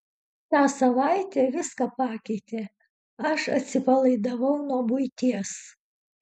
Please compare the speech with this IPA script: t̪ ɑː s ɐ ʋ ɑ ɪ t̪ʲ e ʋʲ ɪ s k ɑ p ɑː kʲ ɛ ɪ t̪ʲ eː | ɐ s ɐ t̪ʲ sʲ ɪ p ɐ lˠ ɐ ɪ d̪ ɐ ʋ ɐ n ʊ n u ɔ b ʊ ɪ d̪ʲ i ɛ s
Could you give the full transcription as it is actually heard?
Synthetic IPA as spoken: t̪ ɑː s ɐ ʋ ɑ ɪ t̪ʲ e ʋʲ ɪ s k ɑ p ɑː kʲ ɛ ɪ t̪ʲ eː | ɐ ʃ ɐ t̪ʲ sʲ ɪ p ɐ lˠ ɐ ɪ d̪ ɐ ʋ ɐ ʊ n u ɔ b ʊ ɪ t̪ʲ i ɛ s